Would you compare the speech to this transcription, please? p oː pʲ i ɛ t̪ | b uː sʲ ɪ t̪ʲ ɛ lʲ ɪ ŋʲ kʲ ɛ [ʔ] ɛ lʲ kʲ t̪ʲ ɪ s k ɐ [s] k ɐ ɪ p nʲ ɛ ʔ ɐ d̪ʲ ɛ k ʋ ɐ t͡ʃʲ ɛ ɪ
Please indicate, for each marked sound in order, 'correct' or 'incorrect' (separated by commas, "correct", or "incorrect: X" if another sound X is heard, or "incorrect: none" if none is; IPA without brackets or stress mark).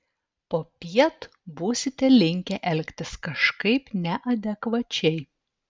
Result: correct, incorrect: ʃ